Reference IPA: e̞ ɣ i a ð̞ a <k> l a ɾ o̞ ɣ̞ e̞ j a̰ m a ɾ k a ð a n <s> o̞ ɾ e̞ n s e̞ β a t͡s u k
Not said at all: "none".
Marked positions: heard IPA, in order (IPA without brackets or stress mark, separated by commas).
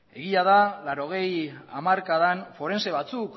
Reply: none, f